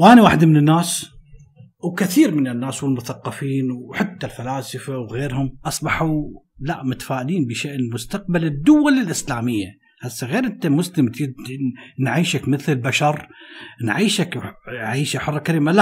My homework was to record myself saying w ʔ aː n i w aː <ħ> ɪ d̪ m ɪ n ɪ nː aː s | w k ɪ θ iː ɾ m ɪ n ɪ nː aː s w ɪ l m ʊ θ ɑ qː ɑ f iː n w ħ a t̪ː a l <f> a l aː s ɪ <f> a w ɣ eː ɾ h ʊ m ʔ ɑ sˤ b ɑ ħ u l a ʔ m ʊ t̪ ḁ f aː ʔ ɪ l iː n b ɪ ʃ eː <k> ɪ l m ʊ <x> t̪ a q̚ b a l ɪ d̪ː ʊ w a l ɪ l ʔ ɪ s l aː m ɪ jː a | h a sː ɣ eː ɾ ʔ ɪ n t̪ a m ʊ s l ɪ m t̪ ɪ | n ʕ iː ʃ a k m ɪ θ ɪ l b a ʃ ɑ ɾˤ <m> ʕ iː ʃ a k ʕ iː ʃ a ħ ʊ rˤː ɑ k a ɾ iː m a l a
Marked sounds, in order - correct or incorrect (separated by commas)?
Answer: correct, correct, correct, incorrect, incorrect, incorrect